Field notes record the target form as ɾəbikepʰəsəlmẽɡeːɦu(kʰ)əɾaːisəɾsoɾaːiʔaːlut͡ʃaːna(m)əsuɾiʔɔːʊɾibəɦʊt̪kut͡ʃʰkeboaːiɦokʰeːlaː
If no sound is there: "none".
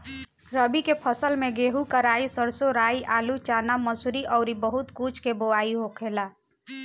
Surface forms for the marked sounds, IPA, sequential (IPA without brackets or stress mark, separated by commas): k, m